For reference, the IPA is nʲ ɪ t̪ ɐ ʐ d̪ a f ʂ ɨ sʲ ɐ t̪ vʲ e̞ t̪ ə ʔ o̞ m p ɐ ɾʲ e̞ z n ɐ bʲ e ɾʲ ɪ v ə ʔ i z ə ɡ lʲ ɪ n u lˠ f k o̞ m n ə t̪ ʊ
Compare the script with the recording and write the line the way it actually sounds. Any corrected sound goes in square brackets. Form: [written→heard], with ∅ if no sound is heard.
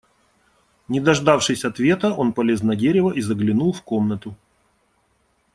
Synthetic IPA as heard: nʲ ɪ [t̪→d̪] ɐ ʐ d̪ a f ʂ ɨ sʲ ɐ t̪ vʲ e̞ t̪ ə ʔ o̞ [m→n] p ɐ [ɾʲ→lʲ] e̞ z n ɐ [bʲ→dʲ] e ɾʲ ɪ v ə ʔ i z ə ɡ lʲ ɪ n u lˠ f k o̞ m n ə t̪ ʊ